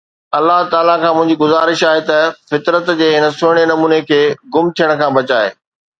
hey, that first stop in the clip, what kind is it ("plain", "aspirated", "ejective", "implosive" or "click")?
plain